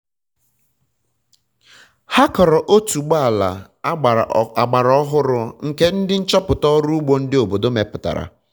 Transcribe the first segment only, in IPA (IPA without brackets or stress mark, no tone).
h